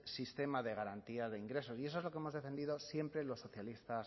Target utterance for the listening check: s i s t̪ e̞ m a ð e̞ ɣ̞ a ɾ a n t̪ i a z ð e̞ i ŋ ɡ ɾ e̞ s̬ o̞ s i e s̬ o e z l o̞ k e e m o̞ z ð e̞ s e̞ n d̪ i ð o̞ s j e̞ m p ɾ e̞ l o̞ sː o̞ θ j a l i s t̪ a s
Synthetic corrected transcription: s i s t̪ e̞ m a ð e̞ ɣ̞ a ɾ a n t̪ i a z ð e̞ i ŋ ɡ ɾ e̞ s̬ o̞ s i e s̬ o e z l o̞ k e e m o̞ z ð e̞ f e̞ n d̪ i ð o̞ s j e̞ m p ɾ e̞ l o̞ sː o̞ θ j a l i s t̪ a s